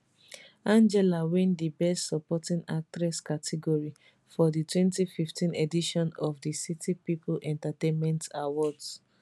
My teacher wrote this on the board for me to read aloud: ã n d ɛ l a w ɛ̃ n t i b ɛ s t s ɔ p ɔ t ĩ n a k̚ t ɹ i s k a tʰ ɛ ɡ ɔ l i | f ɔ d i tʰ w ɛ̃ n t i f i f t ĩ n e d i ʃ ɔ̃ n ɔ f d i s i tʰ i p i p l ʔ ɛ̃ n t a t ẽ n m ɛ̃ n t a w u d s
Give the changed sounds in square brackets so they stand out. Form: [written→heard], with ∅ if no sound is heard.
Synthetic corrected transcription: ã n [d→d͡ʒ] ɛ l a w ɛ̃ n [t→d] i b ɛ s t s ɔ p ɔ t ĩ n a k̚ t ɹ [i→ɛ] s k a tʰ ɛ ɡ ɔ [l→ɹ] i | f ɔ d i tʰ w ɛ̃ n t i f i f t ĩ n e d i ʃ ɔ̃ n ɔ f d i s i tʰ i p i p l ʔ ɛ̃ n t a t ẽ n m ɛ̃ n t a w [u→ɔ] d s